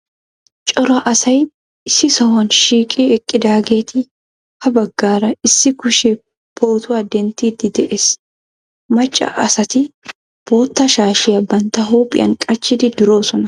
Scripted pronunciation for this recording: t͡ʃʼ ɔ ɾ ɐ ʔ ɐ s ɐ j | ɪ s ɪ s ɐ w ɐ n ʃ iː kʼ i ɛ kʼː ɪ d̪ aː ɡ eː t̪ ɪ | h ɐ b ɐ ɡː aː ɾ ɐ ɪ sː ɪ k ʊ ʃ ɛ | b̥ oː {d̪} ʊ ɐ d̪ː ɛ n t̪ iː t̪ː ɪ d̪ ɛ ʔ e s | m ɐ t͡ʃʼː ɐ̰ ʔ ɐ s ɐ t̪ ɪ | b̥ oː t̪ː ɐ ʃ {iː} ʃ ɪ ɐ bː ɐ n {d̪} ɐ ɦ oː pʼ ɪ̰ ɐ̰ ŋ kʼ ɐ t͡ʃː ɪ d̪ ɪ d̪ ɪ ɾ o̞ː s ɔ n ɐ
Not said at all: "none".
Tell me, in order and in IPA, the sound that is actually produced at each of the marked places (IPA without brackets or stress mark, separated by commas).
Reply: t̪, aː, t̪